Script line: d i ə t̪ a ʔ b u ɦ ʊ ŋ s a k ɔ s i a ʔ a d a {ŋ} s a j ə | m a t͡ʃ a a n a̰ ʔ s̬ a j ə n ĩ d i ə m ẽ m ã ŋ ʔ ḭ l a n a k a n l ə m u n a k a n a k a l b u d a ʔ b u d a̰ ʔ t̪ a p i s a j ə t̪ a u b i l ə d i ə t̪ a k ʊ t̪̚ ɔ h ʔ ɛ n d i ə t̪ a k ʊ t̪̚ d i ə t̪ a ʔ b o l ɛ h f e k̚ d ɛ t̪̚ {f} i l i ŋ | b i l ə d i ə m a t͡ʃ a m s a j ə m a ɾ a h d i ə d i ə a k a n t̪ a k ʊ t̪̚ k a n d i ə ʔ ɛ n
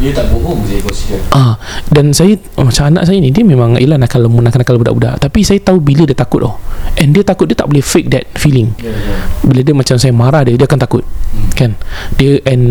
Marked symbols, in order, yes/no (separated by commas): no, yes